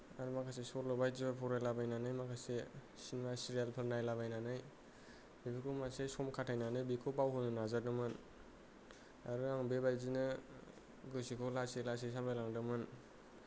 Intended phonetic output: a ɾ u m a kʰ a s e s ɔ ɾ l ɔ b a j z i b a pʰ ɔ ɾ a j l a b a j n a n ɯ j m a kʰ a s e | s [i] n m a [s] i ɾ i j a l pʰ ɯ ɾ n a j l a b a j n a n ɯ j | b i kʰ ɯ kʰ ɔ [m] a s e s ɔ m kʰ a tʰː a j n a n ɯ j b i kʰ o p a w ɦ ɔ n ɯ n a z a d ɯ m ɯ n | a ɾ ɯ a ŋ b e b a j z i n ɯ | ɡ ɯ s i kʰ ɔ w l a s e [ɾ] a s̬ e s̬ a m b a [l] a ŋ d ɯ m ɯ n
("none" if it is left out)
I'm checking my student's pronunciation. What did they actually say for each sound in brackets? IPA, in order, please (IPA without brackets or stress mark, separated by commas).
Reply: i, s, m, l, l